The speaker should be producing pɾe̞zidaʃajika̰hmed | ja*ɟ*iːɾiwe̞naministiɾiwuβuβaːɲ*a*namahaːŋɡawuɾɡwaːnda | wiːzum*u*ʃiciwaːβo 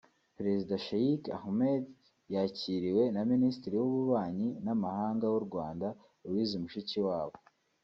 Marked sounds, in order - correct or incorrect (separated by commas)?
incorrect, incorrect, correct